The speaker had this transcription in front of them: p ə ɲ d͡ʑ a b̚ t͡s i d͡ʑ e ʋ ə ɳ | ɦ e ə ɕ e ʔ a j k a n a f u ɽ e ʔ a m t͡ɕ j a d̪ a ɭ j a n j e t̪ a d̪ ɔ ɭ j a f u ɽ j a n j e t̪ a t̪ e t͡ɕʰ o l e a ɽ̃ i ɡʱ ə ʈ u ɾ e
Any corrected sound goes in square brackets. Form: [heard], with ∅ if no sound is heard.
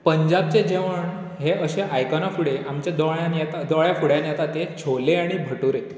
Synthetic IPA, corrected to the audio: p ə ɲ d͡ʑ a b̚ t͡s [e] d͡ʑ e ʋ ə ɳ | ɦ e ə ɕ e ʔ a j k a n a f u ɽ e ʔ a m t͡ɕ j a d̪ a ɭ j a n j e t̪ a d̪ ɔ ɭ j a f u ɽ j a n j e t̪ a t̪ e t͡ɕʰ o l e a ɽ̃ i [bʱ] ə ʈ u ɾ e